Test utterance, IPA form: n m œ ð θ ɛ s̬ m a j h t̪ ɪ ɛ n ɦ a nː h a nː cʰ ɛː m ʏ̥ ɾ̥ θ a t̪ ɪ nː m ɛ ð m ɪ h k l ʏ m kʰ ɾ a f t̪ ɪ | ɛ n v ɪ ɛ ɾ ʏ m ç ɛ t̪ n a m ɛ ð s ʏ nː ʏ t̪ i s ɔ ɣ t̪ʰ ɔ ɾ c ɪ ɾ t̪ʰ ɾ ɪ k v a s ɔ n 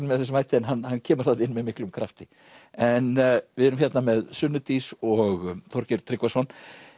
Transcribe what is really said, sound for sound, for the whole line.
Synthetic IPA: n m ɛ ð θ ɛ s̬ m a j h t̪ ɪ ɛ n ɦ a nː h a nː cʰ ɛː m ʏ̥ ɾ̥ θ a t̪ ɪ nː m ɛ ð m ɪ h k l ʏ m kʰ ɾ a f t̪ ɪ | ɛ n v ɪ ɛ ɾ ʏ m ç ɛ t̪ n a m ɛ ð s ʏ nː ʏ t̪ i s ɔ ɣ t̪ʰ ɔ ɾ c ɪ ɾ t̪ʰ ɾ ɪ k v a s ɔ n